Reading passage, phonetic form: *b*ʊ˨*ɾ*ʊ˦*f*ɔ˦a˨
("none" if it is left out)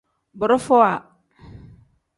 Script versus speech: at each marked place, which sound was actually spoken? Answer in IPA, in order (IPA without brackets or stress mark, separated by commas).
b, ɾ, f